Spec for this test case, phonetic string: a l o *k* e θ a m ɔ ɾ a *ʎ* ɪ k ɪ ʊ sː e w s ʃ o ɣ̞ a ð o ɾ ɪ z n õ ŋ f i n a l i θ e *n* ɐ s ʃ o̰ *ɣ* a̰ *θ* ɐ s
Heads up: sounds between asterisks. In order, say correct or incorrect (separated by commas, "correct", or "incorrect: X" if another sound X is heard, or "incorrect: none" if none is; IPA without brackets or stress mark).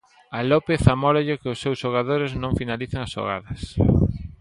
incorrect: p, correct, incorrect: ŋ, correct, incorrect: ð